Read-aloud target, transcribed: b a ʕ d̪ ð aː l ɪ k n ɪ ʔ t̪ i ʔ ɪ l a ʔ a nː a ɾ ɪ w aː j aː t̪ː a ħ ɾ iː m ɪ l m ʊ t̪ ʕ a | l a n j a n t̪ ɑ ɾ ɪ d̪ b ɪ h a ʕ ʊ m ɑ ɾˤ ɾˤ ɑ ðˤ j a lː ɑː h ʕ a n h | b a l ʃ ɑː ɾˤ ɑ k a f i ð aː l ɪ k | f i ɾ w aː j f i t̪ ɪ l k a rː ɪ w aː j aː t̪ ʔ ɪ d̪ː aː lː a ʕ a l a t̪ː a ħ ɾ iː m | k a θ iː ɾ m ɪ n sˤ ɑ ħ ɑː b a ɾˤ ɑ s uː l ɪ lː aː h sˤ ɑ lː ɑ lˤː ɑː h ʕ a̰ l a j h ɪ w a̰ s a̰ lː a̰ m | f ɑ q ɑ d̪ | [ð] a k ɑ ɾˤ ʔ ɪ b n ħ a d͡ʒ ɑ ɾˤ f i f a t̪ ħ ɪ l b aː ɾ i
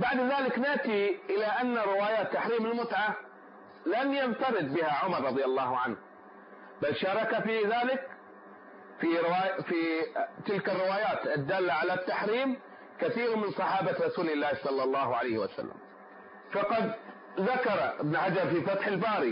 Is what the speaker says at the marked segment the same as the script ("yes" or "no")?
yes